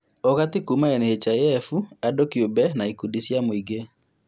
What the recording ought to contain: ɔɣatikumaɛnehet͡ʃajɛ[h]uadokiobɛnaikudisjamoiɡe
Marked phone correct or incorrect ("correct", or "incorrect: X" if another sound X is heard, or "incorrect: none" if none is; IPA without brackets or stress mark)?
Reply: incorrect: f